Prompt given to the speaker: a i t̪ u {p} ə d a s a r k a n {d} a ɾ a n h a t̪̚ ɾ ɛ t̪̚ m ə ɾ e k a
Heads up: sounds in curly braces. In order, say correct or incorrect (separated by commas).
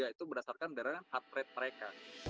incorrect, correct